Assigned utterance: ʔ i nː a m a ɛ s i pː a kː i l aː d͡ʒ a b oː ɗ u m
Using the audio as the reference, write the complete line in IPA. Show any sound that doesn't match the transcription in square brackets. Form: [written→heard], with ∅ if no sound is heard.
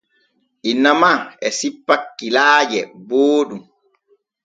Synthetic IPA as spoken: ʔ i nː a m a ɛ s i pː a kː i l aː d͡ʒ [a→ɛ] b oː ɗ u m